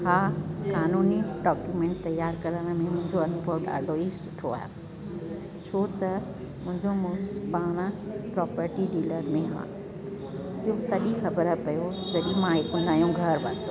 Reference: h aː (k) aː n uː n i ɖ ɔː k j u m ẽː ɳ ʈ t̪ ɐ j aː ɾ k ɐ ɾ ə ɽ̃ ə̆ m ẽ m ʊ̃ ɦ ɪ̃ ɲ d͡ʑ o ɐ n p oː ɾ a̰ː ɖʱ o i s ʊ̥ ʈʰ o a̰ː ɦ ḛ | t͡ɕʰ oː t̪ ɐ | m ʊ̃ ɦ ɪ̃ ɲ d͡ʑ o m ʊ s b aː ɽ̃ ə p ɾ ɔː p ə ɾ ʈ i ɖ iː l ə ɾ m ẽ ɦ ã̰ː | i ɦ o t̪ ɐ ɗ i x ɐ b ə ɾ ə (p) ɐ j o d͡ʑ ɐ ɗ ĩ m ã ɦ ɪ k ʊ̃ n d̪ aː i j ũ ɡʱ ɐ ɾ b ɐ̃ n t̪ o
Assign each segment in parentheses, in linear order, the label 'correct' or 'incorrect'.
correct, correct

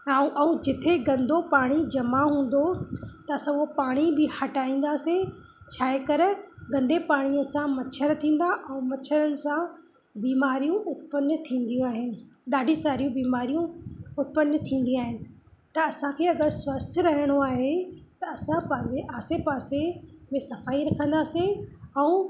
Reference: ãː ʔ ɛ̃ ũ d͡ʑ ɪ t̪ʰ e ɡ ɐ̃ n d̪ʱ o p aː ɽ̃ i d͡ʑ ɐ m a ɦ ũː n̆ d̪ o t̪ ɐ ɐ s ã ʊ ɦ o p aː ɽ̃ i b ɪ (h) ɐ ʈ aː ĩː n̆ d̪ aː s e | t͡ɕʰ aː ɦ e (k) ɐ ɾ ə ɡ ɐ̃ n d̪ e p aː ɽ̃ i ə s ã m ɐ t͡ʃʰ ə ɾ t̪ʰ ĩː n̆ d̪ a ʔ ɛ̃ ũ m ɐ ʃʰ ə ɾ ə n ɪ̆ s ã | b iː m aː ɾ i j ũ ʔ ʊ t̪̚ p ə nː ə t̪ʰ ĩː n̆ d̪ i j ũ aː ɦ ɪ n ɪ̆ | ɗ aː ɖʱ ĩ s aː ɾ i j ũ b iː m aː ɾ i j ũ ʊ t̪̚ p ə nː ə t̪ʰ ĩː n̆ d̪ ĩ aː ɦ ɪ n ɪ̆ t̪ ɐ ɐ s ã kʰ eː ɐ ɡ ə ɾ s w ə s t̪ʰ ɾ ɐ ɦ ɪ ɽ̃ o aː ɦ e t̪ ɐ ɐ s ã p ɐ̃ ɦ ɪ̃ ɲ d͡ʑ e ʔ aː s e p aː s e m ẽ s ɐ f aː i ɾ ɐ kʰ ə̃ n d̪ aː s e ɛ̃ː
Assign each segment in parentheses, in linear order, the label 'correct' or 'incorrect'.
correct, correct

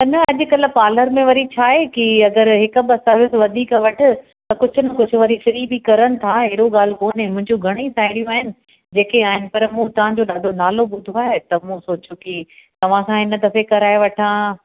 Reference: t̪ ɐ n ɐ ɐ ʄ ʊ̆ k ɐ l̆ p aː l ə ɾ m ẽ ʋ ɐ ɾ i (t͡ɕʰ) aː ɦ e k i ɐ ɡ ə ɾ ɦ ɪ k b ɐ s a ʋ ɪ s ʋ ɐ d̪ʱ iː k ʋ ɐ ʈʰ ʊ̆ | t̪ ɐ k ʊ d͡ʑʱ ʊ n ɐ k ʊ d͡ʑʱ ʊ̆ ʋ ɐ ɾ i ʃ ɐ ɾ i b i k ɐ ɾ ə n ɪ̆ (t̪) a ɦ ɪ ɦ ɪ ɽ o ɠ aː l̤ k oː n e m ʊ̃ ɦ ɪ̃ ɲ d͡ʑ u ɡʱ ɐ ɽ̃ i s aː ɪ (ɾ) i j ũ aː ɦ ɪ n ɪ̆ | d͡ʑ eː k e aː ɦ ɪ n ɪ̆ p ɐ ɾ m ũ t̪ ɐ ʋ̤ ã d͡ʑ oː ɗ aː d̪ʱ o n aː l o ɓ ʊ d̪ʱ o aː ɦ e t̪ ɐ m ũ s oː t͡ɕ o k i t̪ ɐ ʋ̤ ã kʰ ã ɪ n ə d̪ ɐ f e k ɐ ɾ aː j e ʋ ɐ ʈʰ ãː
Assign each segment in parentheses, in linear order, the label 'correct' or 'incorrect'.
correct, incorrect, incorrect

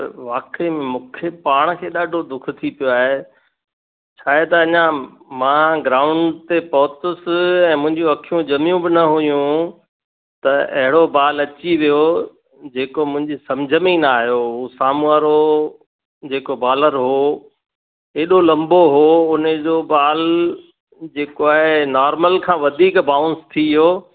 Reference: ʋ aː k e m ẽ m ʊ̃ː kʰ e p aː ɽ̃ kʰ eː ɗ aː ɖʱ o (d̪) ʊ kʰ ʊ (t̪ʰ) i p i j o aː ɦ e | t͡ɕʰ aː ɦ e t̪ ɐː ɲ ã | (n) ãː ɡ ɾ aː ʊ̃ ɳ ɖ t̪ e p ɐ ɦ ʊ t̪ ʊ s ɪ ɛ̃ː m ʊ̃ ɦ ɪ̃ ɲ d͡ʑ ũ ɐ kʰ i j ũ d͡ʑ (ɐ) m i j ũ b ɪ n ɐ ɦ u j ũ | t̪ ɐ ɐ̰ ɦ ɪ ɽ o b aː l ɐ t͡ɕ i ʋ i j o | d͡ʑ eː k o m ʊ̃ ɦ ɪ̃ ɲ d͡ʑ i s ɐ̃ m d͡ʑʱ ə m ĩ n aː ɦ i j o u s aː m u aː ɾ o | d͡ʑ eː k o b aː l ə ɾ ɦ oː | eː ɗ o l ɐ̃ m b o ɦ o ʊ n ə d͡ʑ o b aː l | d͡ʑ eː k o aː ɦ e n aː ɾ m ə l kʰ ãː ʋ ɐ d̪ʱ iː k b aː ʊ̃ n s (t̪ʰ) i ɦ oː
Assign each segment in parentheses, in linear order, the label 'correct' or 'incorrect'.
correct, correct, incorrect, correct, correct

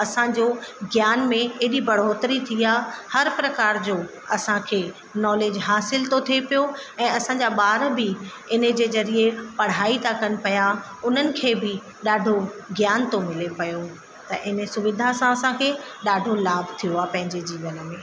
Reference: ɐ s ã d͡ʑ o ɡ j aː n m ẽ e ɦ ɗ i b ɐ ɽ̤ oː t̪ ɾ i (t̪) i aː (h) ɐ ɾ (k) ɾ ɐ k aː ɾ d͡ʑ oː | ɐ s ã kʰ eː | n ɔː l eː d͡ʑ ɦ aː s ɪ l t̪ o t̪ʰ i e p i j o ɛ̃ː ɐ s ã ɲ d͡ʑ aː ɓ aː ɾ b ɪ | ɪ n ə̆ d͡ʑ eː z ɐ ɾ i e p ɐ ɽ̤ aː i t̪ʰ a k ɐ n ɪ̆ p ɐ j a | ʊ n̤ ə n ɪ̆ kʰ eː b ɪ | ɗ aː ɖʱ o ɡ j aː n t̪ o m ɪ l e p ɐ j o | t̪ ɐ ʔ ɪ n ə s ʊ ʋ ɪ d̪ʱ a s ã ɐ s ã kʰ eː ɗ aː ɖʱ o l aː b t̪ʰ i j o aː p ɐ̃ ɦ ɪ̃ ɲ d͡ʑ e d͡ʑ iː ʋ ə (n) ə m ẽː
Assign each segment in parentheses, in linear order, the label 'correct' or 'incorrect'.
incorrect, correct, incorrect, correct

